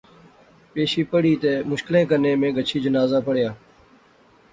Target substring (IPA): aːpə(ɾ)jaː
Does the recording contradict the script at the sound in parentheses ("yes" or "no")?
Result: yes